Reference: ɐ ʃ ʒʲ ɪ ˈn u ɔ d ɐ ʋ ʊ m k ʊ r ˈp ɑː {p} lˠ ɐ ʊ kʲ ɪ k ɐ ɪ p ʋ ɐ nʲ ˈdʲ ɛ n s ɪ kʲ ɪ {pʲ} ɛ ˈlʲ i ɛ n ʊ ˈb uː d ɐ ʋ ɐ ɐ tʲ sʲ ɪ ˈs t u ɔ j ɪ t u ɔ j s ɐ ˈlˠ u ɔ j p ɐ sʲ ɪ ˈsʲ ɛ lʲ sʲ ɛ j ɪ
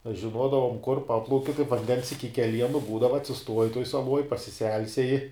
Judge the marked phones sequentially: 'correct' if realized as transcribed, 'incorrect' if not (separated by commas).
correct, incorrect